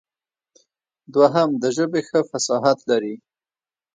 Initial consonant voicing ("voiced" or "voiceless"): voiced